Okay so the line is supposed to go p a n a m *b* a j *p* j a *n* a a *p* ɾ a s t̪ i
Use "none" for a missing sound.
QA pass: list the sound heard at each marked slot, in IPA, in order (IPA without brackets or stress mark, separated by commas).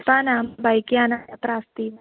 b, k, n, p